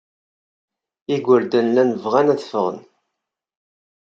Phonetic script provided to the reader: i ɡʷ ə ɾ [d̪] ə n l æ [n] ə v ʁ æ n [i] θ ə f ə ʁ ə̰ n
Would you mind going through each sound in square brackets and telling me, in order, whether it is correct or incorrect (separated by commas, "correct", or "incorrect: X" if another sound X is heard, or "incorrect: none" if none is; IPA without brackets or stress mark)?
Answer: correct, correct, incorrect: æ